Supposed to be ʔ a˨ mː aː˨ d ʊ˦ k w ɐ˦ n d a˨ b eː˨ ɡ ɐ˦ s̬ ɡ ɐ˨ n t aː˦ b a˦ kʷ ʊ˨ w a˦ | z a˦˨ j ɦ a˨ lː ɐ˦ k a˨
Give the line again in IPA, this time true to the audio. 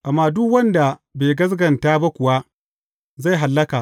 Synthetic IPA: ʔ a˨ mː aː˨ d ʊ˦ k w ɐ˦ n d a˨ b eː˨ ɡ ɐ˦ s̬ ɡ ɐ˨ n t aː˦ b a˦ kʷ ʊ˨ w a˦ | z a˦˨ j ɦ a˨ lː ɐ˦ k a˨